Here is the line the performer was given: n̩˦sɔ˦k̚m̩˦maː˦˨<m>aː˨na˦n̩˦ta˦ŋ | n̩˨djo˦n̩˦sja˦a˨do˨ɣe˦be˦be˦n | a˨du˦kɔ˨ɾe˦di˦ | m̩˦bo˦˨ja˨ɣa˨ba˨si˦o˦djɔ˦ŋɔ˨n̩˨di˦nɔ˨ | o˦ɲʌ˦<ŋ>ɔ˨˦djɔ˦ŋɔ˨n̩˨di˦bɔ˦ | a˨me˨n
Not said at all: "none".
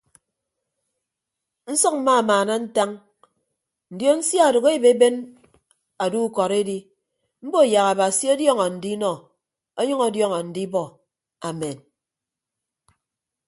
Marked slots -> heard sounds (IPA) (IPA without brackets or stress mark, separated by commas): m, ŋ